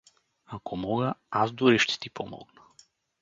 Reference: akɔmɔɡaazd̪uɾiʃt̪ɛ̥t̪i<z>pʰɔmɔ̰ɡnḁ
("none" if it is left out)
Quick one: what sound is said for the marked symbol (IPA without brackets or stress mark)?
none